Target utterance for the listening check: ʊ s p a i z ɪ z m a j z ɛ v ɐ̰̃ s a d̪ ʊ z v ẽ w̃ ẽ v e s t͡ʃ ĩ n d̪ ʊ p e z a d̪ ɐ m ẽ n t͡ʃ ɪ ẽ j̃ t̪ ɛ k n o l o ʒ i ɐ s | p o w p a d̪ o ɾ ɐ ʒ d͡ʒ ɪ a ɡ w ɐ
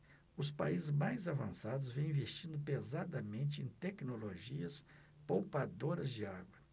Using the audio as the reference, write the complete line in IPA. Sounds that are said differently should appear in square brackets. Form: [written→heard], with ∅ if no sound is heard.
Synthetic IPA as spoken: ʊ s p a i z ɪ z m a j z [ɛ→a] v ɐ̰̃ s a d̪ ʊ z v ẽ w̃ [ẽ→ĩ] v e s t͡ʃ ĩ n d̪ ʊ p e z a d̪ ɐ m ẽ n t͡ʃ ɪ ẽ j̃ t̪ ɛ k n o l o ʒ i ɐ s | p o w p a d̪ o ɾ ɐ [ʒ→z] d͡ʒ ɪ a ɡ w ɐ